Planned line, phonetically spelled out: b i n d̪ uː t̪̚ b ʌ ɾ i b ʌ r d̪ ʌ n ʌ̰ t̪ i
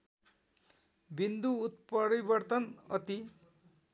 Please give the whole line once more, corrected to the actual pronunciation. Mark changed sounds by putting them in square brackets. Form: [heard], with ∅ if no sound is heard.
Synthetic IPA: b i n d̪ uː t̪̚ [p] ʌ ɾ i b ʌ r [t̪] ʌ n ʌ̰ t̪ i